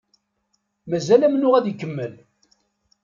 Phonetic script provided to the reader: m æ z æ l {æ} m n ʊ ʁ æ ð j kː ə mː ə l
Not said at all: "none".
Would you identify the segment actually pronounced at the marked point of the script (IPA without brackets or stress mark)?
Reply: æ